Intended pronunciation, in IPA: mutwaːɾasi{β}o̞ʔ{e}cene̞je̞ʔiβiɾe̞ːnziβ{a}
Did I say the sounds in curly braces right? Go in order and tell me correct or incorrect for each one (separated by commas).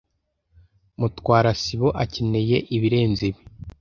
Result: correct, incorrect, incorrect